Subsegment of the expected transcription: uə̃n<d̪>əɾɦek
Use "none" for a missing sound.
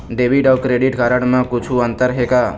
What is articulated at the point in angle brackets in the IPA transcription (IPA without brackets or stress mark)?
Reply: t̪